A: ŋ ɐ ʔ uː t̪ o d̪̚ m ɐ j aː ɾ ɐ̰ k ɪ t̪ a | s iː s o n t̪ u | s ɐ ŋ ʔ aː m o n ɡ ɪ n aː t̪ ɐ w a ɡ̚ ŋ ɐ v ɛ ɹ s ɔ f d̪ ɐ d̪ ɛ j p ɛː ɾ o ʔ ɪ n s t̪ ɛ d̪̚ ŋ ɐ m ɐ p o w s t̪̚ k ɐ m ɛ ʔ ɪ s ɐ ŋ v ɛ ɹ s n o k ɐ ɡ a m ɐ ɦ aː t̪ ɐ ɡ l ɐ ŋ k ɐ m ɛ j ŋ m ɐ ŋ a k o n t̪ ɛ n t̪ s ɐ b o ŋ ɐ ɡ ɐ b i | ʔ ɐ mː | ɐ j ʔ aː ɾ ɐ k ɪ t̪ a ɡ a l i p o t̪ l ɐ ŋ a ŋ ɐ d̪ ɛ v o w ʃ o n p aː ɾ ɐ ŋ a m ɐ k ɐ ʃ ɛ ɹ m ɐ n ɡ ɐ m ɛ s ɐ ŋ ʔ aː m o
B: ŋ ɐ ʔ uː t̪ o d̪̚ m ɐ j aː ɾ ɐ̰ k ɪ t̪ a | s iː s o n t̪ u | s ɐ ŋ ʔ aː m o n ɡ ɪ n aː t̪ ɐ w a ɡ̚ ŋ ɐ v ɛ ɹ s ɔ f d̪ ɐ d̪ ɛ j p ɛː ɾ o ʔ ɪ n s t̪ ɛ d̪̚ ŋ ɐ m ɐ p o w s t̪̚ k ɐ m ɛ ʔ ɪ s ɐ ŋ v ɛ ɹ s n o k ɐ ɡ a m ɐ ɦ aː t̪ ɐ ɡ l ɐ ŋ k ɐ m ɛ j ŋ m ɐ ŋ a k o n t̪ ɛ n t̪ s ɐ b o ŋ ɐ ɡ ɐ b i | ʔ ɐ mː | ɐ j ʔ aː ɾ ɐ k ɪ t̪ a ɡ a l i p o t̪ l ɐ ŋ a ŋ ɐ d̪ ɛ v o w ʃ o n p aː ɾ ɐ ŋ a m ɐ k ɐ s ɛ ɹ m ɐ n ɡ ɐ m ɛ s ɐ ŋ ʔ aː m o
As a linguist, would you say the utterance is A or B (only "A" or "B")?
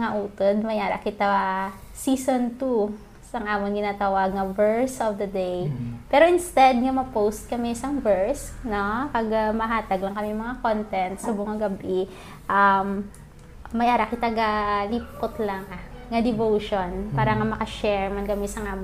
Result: A